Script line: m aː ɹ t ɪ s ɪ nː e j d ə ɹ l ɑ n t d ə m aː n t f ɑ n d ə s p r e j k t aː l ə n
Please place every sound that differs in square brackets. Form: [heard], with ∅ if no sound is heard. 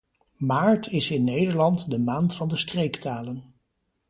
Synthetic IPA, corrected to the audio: m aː ɹ t ɪ s ɪ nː e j d ə ɹ l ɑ n t d ə m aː n t f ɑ n d ə s [t] r e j k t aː l ə n